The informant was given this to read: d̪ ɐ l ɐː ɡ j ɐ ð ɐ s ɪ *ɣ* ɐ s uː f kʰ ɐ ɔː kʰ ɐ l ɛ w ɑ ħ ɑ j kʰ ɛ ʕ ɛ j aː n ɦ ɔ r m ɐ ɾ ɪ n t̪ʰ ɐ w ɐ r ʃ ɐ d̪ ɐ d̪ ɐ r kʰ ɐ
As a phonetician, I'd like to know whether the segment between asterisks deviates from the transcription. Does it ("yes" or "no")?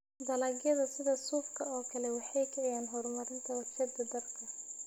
yes